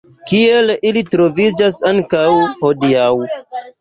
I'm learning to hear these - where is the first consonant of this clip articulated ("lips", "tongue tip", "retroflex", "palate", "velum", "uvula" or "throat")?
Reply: velum